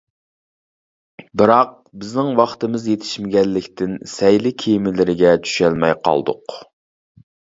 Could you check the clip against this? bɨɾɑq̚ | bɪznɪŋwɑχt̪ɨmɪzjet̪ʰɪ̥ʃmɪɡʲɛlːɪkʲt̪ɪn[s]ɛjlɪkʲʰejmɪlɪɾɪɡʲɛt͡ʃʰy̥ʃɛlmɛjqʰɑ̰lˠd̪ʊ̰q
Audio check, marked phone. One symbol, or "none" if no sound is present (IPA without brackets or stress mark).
s